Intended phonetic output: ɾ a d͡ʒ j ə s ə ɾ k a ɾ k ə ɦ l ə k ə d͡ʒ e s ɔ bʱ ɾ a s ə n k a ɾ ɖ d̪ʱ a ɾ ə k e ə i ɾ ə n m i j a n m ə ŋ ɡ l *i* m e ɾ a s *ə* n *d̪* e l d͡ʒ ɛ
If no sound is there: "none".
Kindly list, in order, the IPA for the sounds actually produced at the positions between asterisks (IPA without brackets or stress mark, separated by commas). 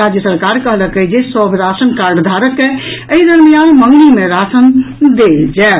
i, ə, d̪